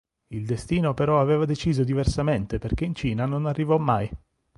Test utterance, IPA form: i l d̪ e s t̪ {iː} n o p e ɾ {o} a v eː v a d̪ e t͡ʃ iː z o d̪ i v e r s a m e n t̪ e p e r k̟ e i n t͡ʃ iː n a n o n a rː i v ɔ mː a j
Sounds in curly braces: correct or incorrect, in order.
correct, incorrect: ɔ

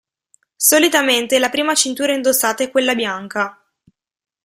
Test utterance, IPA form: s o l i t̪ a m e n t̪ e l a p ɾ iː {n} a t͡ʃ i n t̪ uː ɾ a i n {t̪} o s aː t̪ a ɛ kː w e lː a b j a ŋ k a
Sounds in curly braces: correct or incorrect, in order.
incorrect: m, incorrect: d̪

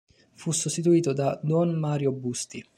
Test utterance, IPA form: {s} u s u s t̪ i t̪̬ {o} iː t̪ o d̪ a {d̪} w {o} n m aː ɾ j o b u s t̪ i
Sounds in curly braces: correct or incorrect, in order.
incorrect: f, incorrect: u, correct, incorrect: ɔ

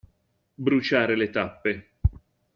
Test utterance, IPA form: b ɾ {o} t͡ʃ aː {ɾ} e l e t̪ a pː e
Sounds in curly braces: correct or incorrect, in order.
incorrect: u, correct

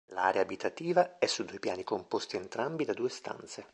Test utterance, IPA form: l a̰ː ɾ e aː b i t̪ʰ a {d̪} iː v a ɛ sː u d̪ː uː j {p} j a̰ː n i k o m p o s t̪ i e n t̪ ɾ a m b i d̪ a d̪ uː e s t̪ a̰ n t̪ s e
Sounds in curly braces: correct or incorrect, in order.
incorrect: t̪, correct

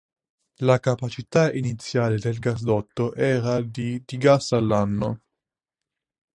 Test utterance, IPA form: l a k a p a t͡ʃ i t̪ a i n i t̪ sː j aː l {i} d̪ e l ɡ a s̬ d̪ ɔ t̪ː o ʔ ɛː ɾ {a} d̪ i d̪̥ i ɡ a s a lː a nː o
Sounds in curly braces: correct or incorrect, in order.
incorrect: e, correct

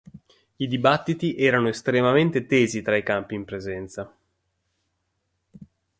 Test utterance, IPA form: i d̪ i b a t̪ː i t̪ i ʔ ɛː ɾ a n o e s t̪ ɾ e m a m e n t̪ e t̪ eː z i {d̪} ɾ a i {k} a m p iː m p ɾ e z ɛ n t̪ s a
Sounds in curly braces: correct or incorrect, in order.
incorrect: t̪, correct

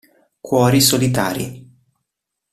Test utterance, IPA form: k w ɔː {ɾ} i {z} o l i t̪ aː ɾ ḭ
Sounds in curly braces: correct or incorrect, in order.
correct, incorrect: s

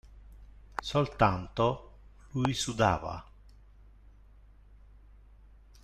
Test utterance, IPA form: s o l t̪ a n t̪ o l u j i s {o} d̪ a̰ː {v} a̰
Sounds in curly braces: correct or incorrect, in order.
incorrect: u, correct

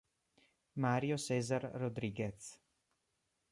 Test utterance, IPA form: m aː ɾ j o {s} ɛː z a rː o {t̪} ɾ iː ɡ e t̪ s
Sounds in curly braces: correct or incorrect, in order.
correct, incorrect: d̪

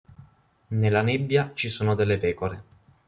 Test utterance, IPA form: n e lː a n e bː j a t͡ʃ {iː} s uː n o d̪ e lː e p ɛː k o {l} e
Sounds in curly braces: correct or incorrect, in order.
incorrect: i, incorrect: ɾ

